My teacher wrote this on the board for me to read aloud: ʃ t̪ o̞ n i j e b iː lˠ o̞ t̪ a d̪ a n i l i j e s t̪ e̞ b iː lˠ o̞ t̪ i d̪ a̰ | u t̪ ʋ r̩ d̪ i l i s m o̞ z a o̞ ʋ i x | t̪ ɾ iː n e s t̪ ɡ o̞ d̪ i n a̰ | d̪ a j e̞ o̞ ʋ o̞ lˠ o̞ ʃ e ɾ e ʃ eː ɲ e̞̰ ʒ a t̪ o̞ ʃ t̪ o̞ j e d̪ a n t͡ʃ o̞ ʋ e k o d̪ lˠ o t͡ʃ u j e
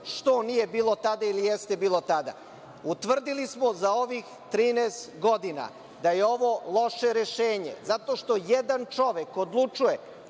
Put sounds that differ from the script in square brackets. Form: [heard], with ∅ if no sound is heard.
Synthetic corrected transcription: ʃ t̪ o̞ n i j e b iː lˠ o̞ t̪ a d̪ a [∅] i l i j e s t̪ e̞ b iː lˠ o̞ t̪ [a] d̪ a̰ | u t̪ ʋ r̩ d̪ i l i s m o̞ z a o̞ ʋ i x | t̪ ɾ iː n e s t̪ ɡ o̞ d̪ i n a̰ | d̪ a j e̞ o̞ ʋ o̞ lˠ o̞ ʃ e ɾ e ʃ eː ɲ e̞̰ [z] a t̪ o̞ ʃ t̪ o̞ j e d̪ a n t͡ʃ o̞ ʋ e k o d̪ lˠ [u] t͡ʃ u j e